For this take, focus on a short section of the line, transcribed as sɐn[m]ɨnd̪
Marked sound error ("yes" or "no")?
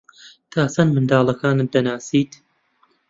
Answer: no